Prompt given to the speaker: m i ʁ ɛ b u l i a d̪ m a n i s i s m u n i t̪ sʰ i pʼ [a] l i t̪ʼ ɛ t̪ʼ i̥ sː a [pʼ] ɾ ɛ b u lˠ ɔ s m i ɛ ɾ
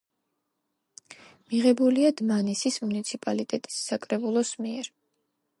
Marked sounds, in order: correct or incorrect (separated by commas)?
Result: correct, incorrect